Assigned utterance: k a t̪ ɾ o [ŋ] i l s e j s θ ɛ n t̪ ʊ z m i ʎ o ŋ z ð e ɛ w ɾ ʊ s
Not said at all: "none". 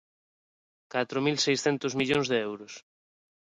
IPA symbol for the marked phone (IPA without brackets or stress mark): m